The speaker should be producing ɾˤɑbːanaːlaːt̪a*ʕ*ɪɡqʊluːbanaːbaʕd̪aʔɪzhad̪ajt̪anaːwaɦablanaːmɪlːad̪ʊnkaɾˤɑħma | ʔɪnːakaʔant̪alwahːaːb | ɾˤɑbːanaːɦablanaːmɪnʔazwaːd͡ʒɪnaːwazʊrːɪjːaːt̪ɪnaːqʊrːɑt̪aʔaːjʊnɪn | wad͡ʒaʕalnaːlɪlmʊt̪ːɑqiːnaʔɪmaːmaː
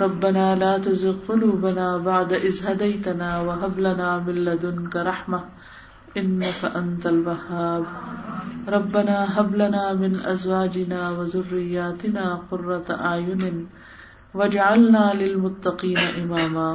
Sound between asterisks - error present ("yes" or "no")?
yes